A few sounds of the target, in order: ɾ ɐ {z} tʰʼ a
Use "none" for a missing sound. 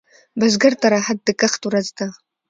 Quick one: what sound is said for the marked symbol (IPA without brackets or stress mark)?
z